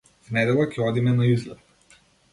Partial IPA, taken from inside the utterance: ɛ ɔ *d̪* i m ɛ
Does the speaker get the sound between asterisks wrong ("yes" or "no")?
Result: no